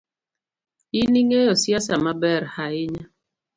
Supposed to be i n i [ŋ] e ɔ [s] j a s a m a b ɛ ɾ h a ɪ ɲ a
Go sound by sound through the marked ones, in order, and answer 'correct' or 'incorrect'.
correct, correct

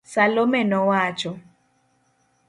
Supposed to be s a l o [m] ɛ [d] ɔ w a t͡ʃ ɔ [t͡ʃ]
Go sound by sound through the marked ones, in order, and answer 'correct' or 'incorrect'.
correct, incorrect, incorrect

